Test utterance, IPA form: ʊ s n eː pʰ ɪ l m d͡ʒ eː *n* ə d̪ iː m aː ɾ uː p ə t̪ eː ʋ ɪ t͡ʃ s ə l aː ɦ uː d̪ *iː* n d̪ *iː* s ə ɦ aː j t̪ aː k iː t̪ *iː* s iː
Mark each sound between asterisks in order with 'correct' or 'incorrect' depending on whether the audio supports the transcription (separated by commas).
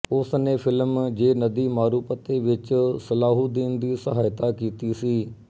correct, correct, correct, correct